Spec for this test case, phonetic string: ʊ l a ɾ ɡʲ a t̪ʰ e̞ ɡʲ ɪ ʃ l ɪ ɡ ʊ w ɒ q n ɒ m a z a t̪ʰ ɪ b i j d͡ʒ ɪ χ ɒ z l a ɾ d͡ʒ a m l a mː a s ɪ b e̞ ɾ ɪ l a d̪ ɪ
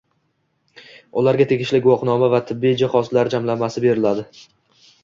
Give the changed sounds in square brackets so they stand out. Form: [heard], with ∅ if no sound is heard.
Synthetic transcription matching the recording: ʊ l a ɾ ɡʲ a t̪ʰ e̞ ɡʲ ɪ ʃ l ɪ ɡ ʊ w ɒ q n ɒ m a [v] a t̪ʰ ɪ [bː] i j d͡ʒ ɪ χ ɒ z l a ɾ d͡ʒ a m l a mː a s ɪ b e̞ ɾ ɪ l a d̪ ɪ